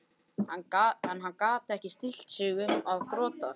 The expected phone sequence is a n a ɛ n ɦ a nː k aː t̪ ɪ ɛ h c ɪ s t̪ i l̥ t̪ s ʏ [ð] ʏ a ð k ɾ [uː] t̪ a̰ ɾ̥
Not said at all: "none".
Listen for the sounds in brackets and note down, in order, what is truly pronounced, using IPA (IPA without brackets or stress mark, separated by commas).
ɣ, ɔː